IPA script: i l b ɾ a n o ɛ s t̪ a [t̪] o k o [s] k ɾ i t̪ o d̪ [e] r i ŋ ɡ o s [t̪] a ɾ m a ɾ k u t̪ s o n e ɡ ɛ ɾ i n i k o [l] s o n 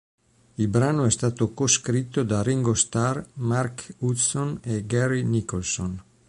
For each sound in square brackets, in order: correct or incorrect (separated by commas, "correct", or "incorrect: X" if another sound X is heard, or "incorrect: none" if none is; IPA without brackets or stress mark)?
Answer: correct, correct, incorrect: a, correct, correct